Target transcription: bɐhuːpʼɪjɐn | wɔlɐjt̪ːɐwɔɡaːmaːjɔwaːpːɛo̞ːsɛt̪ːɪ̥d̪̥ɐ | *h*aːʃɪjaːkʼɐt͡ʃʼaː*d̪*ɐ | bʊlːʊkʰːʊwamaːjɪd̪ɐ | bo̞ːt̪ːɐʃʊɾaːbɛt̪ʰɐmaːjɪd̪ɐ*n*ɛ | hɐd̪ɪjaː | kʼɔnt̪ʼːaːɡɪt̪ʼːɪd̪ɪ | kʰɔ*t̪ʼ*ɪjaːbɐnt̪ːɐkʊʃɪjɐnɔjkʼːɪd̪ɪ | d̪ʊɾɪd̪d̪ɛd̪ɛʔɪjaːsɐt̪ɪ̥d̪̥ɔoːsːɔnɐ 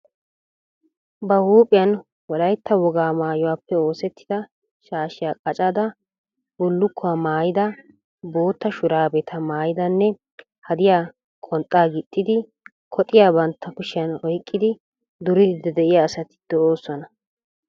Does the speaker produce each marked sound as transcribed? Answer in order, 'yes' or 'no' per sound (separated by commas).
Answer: no, yes, no, yes